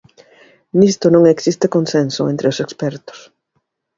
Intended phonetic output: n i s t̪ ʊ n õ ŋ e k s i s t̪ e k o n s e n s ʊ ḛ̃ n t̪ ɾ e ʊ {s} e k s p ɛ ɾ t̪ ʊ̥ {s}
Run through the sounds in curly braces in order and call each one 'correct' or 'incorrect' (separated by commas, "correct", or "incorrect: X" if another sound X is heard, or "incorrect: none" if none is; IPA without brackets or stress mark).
correct, correct